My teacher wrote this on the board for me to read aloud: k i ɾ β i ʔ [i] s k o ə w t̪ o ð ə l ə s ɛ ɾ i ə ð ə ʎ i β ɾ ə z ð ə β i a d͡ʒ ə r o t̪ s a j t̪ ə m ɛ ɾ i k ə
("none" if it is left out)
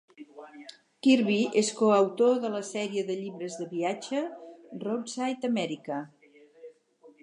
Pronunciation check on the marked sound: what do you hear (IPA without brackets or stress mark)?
e